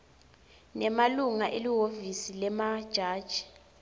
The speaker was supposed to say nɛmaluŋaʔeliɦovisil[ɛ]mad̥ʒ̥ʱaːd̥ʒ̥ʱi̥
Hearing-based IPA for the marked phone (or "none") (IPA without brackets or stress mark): ɛ